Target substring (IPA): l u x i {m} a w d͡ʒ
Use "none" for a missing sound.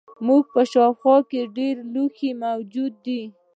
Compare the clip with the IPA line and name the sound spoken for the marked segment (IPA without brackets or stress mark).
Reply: m